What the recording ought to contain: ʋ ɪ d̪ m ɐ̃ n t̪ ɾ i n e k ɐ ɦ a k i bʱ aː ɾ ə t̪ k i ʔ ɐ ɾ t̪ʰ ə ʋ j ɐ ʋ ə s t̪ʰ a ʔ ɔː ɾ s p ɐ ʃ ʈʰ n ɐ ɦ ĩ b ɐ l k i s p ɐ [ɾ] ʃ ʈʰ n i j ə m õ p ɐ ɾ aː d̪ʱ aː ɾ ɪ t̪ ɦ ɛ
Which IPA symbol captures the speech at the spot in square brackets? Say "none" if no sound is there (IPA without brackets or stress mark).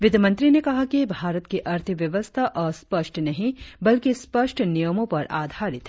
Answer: none